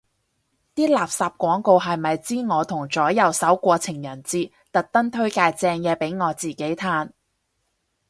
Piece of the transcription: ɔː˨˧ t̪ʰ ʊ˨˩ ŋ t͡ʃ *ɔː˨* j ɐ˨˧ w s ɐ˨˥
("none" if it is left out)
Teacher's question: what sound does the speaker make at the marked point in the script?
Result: ɔː˨˥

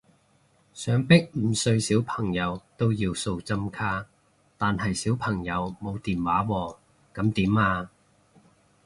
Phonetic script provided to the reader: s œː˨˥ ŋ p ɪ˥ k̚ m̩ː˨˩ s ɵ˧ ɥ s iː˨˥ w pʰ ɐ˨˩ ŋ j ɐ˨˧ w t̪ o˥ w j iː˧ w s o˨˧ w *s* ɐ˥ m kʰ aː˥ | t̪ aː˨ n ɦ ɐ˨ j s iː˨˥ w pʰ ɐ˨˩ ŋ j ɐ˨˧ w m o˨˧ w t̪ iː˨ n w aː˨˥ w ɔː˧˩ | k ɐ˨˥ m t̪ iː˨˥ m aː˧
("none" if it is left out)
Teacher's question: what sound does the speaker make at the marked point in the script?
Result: t͡s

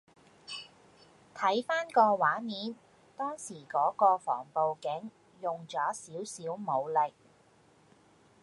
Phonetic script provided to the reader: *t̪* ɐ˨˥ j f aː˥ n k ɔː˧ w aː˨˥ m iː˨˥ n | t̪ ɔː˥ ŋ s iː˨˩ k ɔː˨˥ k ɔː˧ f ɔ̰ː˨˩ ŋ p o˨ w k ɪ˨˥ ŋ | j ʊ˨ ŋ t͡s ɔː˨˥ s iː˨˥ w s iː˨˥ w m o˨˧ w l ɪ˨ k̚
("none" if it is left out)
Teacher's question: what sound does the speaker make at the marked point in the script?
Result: t̪ʰ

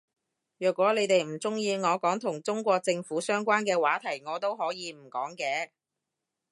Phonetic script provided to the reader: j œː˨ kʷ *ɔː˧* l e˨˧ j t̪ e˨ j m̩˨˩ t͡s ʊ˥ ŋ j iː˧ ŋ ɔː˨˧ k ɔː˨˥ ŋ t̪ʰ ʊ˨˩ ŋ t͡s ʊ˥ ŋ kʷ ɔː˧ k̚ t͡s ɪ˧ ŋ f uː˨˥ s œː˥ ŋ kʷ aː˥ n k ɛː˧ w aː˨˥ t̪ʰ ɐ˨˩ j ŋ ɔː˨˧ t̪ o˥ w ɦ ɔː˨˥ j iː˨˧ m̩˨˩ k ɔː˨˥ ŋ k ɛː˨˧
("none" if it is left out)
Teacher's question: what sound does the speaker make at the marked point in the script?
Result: ɔː˨˥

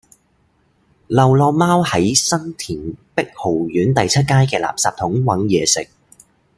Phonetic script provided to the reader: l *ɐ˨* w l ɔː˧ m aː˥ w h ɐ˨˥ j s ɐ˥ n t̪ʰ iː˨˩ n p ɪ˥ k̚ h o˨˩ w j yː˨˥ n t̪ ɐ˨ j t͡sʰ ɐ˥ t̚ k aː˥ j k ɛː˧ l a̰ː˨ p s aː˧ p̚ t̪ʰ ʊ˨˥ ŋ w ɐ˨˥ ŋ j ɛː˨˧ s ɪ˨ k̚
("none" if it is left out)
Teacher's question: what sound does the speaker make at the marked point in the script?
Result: ɐ˨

